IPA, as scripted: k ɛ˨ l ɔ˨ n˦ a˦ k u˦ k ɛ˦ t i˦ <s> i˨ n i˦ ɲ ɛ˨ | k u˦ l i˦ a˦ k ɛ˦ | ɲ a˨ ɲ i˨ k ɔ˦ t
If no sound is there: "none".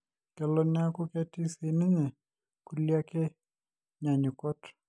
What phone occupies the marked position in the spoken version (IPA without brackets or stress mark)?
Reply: s